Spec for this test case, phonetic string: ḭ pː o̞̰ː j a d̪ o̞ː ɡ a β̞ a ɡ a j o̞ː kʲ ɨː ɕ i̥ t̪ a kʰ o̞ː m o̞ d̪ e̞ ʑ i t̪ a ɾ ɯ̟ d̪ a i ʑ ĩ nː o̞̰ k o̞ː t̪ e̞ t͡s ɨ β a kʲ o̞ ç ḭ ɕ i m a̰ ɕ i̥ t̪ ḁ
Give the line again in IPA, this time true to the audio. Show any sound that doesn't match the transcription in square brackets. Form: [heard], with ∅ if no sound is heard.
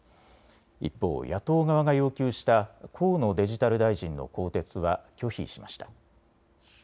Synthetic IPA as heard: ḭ pː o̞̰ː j a [t̪] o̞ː ɡ a β̞ a ɡ a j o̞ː kʲ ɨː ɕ i̥ t̪ a kʰ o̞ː [n] o̞ d̪ e̞ ʑ i t̪ a ɾ ɯ̟ d̪ a i ʑ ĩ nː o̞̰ k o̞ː t̪ e̞ t͡s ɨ β a kʲ o̞ ç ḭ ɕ i m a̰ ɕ i̥ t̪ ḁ